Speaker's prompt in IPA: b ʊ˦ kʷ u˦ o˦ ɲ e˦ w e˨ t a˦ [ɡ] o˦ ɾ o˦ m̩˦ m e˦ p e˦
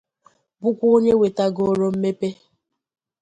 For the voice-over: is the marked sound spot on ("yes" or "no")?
yes